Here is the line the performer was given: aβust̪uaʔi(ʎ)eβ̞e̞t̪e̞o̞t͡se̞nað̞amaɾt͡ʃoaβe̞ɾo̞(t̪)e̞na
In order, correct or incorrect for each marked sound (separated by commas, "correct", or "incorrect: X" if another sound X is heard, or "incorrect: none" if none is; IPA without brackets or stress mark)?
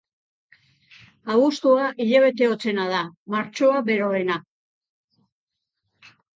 correct, incorrect: none